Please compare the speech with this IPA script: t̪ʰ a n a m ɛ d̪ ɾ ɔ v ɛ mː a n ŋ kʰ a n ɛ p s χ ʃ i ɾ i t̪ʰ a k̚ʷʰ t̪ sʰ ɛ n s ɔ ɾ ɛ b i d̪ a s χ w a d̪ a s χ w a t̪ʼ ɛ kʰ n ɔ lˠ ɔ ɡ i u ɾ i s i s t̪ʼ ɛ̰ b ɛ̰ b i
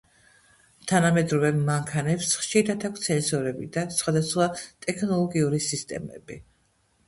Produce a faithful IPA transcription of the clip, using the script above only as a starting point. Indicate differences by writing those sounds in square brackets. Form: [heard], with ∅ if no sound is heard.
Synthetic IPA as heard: t̪ʰ a n a m ɛ d̪ ɾ ɔ v ɛ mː a [∅] ŋ kʰ a n ɛ p s χ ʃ i ɾ [a] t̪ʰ a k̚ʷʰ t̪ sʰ ɛ n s ɔ ɾ ɛ b i d̪ a s χ w a d̪ a s χ w a t̪ʼ ɛ kʰ n ɔ lˠ ɔ ɡ i u ɾ i s i s t̪ʼ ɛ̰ [m] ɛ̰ b i